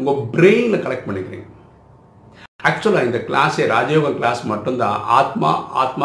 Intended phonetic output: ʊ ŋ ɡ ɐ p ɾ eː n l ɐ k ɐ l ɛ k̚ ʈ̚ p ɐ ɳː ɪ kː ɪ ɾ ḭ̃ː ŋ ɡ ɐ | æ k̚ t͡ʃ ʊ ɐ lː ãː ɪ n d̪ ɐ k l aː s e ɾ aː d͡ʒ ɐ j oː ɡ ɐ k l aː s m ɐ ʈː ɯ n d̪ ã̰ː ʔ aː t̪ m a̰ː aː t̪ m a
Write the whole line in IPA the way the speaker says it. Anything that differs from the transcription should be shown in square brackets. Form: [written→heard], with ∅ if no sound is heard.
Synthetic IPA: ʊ ŋ ɡ ɐ [p→b] ɾ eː n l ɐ k ɐ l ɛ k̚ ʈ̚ p ɐ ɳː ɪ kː ɪ ɾ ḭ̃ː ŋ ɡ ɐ | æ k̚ t͡ʃ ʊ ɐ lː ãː ɪ n d̪ ɐ k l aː s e ɾ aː d͡ʒ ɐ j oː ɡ ɐ k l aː s m ɐ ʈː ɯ n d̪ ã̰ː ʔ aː t̪ m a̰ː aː t̪ m a